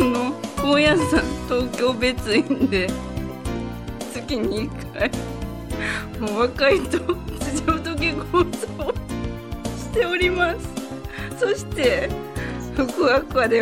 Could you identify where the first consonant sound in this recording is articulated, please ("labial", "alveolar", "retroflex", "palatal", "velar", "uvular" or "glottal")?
alveolar